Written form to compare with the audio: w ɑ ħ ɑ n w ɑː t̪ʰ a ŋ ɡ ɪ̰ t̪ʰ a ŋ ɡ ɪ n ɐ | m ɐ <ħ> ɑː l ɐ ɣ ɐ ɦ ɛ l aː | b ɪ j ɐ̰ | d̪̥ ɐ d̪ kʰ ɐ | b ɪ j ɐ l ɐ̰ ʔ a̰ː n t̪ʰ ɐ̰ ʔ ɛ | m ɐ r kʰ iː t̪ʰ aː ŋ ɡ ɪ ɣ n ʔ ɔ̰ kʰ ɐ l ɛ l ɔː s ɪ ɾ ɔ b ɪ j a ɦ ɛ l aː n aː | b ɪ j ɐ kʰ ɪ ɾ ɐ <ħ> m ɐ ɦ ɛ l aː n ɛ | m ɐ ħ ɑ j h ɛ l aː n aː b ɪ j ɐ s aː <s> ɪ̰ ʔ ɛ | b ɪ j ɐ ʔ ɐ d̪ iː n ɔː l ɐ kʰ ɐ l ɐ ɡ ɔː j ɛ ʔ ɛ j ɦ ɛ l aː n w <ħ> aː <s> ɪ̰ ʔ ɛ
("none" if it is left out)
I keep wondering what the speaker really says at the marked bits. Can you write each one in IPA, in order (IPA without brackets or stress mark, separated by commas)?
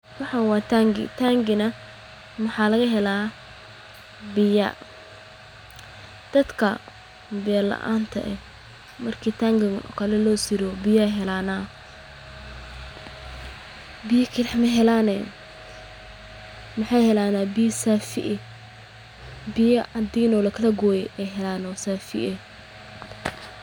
ħ, ħ, f, s, f